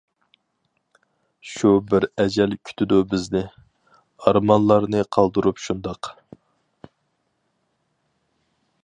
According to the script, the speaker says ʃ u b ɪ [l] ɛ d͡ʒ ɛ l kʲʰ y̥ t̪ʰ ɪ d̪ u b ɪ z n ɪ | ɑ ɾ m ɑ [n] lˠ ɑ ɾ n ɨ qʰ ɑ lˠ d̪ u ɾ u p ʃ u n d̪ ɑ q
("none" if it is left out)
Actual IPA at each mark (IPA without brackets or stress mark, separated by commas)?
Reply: ɾ, n